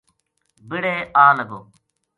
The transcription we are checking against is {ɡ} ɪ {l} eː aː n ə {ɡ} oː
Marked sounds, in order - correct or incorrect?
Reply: incorrect: b, incorrect: ɽ, correct

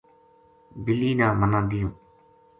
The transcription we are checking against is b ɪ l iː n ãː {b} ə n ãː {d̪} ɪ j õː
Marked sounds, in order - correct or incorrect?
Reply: incorrect: m, correct

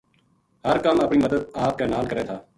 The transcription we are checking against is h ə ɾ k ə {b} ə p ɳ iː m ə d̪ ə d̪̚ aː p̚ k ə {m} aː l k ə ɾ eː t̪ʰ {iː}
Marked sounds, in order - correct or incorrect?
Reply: incorrect: m, incorrect: n, incorrect: aː

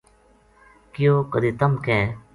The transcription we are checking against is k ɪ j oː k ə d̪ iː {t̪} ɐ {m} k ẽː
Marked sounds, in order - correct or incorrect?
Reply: correct, correct

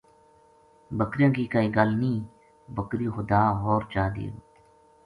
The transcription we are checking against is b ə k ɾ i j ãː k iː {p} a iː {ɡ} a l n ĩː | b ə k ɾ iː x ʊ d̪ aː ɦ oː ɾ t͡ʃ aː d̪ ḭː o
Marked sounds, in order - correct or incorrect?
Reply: incorrect: k, correct

